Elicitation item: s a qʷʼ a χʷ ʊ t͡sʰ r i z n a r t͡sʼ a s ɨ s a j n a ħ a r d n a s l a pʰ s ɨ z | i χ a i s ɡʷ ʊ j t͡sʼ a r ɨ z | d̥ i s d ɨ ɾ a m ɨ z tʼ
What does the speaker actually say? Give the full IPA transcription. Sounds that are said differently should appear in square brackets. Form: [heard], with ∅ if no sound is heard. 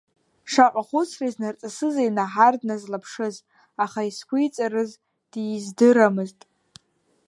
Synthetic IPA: [ʂ] a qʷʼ a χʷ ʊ t͡sʰ r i z n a r t͡sʼ a s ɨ [z] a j n a ħ a r d n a [z] l a pʰ [ʂ] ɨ z | [a] χ a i s [kʷ] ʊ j t͡sʼ a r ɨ z | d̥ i [z] d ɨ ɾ a m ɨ z tʼ